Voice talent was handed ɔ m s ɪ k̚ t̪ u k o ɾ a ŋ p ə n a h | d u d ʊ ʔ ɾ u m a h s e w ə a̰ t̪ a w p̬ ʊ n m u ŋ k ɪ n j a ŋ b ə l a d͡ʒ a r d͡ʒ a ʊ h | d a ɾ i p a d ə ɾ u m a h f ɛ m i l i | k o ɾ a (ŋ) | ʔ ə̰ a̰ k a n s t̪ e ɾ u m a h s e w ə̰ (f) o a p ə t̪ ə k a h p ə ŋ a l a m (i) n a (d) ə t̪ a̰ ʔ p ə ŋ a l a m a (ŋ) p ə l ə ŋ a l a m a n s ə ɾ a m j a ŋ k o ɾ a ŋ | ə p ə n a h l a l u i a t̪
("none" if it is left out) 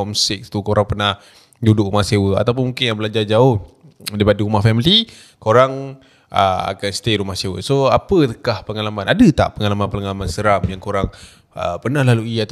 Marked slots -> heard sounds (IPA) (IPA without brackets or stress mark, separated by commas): ŋ, s, a, d, n